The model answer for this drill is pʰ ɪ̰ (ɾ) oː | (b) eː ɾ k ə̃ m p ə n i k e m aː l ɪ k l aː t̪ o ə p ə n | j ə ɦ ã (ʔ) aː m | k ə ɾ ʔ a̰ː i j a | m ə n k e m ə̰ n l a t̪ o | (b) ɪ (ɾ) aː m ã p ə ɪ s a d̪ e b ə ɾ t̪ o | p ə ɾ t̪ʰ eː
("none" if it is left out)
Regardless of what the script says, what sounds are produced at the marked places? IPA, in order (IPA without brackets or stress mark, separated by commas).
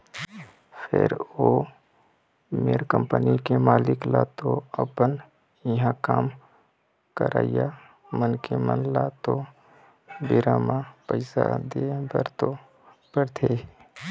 ɾ, m, k, b, ɾ